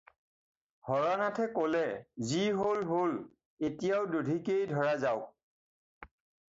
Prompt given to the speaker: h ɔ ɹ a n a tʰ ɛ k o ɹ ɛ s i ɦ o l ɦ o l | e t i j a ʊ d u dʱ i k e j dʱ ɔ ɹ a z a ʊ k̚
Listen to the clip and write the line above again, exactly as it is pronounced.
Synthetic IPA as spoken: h ɔ ɹ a n a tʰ ɛ k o l ɛ z i ɦ o l ɦ o l | e t i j a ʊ d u dʱ i k e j dʱ ɔ ɹ a z a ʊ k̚